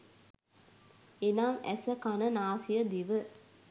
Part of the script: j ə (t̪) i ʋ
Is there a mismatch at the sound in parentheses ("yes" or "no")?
yes